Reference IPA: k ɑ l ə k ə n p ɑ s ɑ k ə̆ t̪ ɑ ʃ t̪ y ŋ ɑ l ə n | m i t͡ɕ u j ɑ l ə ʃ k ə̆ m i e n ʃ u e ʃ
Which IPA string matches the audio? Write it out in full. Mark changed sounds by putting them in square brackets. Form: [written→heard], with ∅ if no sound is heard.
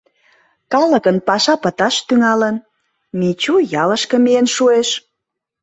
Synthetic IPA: k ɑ l ə k ə n p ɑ [s→ʃ] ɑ [k→p] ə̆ t̪ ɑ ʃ t̪ y ŋ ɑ l ə n | m i t͡ɕ u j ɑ l ə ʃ k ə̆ m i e n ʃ u e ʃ